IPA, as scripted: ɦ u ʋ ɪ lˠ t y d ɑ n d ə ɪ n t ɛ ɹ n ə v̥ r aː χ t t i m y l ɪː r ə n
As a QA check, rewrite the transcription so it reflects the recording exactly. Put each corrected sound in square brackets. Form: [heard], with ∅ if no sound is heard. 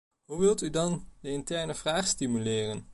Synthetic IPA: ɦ u ʋ ɪ lˠ t y d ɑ n d ə ɪ n t ɛ ɹ n ə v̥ r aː χ [s] t i m y l ɪː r ə n